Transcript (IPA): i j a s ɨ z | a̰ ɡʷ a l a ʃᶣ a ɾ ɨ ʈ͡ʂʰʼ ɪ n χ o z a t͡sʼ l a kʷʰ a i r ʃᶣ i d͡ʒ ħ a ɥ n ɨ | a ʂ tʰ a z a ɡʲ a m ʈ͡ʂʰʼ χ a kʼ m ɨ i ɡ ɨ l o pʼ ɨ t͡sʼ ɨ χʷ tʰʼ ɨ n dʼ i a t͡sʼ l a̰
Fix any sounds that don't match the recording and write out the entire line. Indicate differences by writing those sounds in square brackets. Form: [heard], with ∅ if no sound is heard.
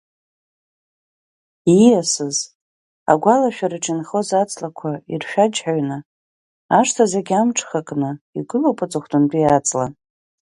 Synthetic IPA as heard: i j a s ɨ z | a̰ ɡʷ a l a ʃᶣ a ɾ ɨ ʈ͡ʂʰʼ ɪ n χ o z a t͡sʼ l a kʷʰ a i r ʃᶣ [a] d͡ʒ ħ a ɥ n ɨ | a ʂ tʰ a z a ɡʲ a m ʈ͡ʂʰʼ χ a kʼ [n] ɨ i ɡ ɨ l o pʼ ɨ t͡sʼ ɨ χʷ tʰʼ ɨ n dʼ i a t͡sʼ l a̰